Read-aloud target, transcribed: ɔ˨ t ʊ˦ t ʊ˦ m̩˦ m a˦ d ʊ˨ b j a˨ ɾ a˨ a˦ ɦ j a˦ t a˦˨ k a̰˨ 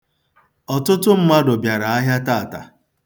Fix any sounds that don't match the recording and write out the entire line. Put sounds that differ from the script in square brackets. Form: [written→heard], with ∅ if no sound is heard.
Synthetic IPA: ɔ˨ t ʊ˦ t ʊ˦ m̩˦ m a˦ d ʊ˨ b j a˨ ɾ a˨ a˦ ɦ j a˦ t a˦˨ [k→t] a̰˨